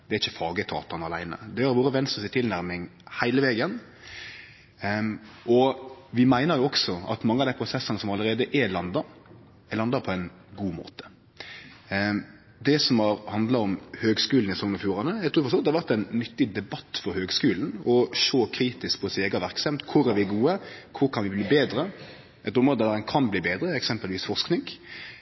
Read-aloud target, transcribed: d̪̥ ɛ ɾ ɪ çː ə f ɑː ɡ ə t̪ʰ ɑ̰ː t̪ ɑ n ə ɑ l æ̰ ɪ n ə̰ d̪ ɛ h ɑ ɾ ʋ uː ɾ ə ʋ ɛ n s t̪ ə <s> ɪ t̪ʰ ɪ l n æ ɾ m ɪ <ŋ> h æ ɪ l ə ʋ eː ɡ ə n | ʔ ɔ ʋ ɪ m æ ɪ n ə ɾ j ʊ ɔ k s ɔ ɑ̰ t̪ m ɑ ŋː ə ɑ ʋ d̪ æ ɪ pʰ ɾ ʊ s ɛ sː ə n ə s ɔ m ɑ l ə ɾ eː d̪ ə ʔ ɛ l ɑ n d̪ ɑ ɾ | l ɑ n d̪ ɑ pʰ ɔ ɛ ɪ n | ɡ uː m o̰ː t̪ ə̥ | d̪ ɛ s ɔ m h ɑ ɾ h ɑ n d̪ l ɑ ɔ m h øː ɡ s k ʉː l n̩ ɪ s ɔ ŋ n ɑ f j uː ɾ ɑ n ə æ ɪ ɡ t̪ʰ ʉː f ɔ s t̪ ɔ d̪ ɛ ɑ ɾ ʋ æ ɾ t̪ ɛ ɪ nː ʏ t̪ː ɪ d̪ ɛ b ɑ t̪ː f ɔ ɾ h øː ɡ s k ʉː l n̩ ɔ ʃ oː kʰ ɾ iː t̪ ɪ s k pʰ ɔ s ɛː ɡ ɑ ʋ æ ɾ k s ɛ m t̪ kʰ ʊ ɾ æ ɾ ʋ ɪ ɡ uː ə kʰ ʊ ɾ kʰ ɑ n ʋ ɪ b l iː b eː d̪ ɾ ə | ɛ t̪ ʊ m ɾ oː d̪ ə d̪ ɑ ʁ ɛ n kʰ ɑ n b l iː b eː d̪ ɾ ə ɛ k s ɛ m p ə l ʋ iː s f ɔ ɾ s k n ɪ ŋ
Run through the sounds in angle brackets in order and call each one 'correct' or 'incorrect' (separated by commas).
correct, correct